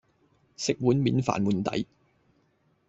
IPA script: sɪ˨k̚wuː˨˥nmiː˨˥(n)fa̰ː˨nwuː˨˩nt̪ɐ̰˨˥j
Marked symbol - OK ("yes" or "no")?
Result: yes